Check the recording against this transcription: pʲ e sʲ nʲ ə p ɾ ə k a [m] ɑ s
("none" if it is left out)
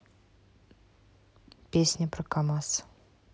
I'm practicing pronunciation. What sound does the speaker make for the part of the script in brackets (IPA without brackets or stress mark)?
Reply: m